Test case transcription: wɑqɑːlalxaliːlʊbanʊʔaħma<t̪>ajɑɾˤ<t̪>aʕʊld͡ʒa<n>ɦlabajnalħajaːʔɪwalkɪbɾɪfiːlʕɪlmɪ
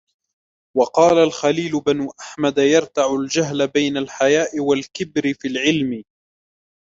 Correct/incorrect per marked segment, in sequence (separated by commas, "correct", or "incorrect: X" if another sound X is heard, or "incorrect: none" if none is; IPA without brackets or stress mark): incorrect: d̪, correct, incorrect: none